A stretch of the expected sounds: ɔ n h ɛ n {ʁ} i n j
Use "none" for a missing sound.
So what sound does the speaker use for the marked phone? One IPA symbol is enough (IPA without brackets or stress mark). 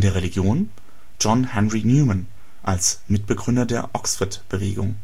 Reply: ʁ